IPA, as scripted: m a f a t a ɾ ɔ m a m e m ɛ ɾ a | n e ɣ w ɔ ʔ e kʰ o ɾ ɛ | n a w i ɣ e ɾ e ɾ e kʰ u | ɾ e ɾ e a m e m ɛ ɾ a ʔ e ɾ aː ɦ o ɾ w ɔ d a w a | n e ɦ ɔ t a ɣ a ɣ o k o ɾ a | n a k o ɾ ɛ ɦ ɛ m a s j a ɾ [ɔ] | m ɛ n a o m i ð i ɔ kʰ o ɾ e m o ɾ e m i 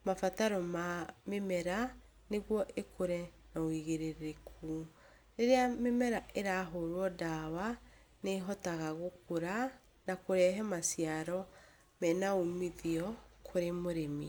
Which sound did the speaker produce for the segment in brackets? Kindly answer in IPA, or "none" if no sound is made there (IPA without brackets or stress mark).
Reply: ɔ